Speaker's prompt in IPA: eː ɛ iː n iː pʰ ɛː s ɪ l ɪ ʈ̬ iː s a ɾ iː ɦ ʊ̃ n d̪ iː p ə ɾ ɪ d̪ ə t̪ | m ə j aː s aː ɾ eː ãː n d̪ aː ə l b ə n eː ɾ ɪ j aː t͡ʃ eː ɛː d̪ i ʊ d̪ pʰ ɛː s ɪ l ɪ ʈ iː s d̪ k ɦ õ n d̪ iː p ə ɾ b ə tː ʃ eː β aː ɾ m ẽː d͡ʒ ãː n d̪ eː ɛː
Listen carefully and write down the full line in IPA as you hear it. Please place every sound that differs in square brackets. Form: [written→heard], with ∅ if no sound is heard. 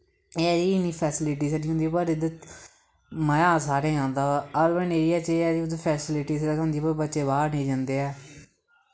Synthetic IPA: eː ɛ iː n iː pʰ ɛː s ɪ l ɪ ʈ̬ iː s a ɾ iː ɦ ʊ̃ n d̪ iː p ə ɾ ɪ d̪ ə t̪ | m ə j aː s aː ɾ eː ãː n d̪ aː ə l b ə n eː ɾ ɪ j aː t͡ʃ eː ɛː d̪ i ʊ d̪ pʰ ɛː s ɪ l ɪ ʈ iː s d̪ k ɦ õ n d̪ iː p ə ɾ b ə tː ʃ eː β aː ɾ [m→n] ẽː d͡ʒ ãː n d̪ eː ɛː

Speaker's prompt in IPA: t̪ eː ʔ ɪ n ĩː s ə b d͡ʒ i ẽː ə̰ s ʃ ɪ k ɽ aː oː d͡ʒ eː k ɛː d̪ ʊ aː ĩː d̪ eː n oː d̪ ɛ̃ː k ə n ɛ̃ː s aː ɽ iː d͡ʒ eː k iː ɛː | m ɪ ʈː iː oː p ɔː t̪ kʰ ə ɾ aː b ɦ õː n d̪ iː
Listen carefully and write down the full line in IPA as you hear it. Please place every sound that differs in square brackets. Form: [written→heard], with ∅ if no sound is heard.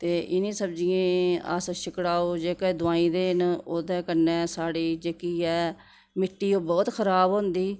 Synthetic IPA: t̪ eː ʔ ɪ n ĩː s ə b d͡ʒ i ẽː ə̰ s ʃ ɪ k ɽ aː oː d͡ʒ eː k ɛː d̪ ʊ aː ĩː d̪ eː n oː d̪ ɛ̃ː k ə n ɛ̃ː s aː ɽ iː d͡ʒ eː k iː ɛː | m ɪ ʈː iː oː [p→b] ɔː t̪ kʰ ə ɾ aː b ɦ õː n d̪ iː

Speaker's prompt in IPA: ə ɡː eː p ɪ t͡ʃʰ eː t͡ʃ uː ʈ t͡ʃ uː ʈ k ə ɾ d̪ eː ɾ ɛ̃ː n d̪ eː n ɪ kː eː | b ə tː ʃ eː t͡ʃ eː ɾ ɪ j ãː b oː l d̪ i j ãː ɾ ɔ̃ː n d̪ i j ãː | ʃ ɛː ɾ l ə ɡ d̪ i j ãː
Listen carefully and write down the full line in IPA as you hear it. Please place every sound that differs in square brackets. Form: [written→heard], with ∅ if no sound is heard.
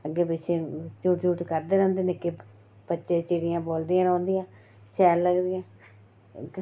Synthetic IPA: ə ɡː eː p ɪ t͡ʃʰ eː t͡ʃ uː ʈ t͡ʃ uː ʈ k ə ɾ d̪ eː ɾ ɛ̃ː n d̪ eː n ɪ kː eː | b ə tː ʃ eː t͡ʃ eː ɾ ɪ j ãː b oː l d̪ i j ãː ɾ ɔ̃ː n d̪ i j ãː | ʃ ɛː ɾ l ə ɡ d̪ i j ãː

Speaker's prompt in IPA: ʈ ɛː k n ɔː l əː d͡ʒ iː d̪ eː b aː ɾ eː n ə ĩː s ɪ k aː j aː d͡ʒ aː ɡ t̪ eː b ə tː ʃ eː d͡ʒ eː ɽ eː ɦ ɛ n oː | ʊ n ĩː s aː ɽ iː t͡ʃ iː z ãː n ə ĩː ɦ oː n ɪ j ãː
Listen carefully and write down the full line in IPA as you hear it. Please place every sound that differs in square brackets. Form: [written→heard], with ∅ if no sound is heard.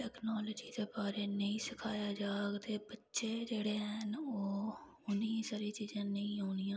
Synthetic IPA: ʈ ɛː k n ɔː l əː d͡ʒ iː d̪ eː b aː ɾ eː n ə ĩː s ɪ [k→kʰ] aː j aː d͡ʒ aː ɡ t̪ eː b ə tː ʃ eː d͡ʒ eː ɽ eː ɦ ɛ n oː | ʊ n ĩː s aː [ɽ→ɾ] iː t͡ʃ iː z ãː n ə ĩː ɦ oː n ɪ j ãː

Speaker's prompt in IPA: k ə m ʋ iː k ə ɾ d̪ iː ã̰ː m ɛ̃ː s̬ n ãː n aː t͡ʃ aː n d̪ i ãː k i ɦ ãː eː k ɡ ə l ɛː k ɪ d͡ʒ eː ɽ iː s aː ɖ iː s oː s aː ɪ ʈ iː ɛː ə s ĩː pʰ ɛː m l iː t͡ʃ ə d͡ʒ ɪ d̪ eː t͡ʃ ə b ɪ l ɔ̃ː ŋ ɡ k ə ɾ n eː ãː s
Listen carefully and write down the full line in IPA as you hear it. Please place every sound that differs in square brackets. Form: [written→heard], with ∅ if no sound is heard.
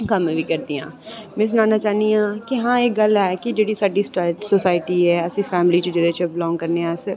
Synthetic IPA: k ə m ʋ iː k ə ɾ d̪ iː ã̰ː m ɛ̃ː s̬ n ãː n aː t͡ʃ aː n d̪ i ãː k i ɦ ãː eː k ɡ ə l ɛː k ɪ d͡ʒ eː ɽ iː s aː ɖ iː s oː s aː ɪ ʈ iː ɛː ə s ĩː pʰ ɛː m l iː t͡ʃ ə d͡ʒ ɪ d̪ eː t͡ʃ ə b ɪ l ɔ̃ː ŋ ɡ k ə ɾ n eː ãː s

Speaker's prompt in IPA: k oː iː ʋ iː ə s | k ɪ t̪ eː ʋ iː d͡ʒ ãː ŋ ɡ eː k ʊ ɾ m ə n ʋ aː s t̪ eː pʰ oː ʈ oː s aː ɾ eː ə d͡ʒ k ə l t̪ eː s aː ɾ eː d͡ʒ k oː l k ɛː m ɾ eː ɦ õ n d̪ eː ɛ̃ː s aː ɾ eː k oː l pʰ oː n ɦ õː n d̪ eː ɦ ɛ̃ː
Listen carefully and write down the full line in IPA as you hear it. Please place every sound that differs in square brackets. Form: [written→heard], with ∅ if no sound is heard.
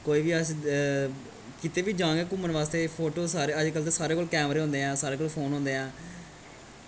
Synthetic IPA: k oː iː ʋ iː ə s | k ɪ t̪ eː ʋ iː d͡ʒ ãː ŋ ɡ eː k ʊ [ɾ→∅] m ə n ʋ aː s t̪ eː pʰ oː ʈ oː s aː ɾ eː ə d͡ʒ k ə l t̪ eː s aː ɾ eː [d͡ʒ→∅] k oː l k ɛː m ɾ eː ɦ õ n d̪ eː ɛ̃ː s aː ɾ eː k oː l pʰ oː n ɦ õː n d̪ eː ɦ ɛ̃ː

